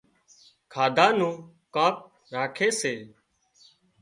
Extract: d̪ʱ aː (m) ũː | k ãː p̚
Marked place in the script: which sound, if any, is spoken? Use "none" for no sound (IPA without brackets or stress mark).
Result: n